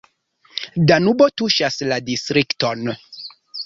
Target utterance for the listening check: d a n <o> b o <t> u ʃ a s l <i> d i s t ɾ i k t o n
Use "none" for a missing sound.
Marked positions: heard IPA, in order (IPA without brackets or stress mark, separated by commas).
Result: u, t, a